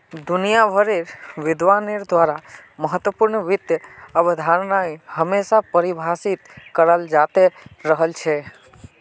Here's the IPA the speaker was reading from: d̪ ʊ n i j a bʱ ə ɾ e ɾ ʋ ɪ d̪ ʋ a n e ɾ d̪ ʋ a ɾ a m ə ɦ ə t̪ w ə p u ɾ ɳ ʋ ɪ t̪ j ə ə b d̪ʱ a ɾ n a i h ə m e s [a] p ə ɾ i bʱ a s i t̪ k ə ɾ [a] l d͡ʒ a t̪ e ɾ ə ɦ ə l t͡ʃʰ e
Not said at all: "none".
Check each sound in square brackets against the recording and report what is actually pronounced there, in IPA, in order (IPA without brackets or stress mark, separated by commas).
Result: a, ə